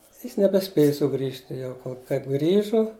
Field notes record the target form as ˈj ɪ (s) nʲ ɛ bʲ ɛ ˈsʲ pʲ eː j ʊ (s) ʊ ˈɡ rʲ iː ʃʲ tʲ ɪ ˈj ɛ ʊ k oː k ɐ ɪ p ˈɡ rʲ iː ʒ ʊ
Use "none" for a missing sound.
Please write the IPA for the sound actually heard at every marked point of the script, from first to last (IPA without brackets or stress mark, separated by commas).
s, s